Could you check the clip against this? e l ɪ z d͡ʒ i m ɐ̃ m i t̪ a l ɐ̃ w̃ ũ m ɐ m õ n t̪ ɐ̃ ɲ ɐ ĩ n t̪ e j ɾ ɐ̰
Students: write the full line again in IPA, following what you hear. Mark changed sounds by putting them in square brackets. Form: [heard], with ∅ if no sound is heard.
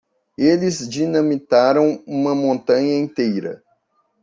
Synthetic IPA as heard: e l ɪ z d͡ʒ i [n] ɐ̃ m i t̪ a [ɾ] ɐ̃ w̃ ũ m ɐ m õ n t̪ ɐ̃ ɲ ɐ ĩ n t̪ e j ɾ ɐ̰